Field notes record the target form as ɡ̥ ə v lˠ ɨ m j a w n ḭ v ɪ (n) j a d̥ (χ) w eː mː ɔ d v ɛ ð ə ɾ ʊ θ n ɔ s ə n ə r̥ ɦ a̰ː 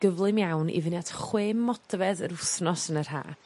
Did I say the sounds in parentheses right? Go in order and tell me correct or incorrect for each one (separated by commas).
correct, correct